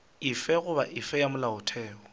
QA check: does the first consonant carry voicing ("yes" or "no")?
no